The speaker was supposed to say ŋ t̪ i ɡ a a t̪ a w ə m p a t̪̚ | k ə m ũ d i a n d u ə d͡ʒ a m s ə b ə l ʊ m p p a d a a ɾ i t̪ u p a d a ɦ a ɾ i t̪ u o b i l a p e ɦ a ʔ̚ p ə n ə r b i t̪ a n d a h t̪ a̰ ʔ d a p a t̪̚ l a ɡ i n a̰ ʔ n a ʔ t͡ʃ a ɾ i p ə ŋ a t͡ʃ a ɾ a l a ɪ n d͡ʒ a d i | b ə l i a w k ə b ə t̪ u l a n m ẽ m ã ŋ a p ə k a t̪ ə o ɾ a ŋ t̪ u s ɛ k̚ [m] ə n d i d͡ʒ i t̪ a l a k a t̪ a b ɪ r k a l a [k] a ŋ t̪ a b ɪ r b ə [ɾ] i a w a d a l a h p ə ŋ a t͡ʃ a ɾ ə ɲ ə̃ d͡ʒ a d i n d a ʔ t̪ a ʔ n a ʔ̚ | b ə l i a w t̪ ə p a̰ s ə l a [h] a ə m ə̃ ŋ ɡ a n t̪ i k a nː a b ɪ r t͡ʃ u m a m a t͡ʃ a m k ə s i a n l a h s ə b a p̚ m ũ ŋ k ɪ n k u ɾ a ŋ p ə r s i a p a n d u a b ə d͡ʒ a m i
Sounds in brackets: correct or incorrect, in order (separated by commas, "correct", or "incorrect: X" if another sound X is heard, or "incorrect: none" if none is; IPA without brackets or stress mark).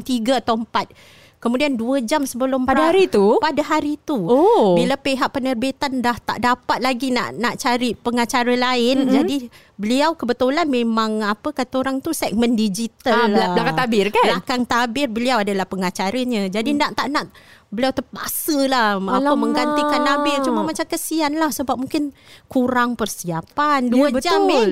correct, correct, incorrect: l, correct